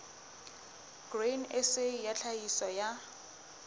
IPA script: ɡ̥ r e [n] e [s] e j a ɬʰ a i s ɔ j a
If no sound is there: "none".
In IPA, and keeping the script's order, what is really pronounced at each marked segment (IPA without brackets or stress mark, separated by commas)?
n, s